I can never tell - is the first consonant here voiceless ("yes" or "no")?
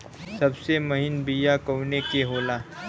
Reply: yes